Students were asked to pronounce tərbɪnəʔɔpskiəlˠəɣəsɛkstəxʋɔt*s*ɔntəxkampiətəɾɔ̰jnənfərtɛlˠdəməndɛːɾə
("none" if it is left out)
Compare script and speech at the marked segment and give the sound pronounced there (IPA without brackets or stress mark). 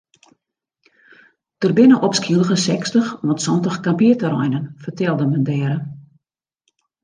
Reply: s